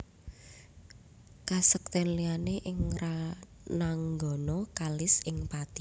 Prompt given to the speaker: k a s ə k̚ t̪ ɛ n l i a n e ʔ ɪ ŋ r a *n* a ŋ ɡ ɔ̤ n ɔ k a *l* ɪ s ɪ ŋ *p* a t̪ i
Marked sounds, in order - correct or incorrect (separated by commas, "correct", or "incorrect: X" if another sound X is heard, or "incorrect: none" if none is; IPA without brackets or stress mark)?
correct, correct, correct